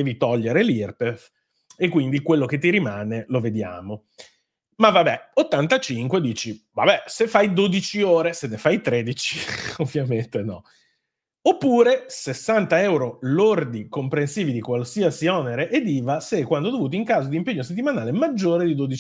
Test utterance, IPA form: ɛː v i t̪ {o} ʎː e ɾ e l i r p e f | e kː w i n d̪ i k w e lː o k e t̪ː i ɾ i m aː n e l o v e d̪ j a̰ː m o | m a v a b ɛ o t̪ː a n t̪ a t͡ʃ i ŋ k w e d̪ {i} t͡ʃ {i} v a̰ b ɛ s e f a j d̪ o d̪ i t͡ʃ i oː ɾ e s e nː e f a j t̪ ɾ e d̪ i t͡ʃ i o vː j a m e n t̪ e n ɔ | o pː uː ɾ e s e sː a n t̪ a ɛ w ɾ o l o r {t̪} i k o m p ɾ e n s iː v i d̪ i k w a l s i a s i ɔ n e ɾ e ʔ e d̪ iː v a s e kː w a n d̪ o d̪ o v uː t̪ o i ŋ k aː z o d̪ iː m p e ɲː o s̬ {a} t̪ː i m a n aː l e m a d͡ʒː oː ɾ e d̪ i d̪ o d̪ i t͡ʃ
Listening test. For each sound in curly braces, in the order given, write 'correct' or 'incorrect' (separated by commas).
incorrect, incorrect, correct, incorrect, incorrect